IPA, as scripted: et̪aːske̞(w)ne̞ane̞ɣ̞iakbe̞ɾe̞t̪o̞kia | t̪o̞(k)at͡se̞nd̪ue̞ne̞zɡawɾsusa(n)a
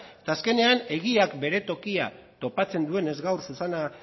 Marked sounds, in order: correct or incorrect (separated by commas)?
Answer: incorrect, incorrect, correct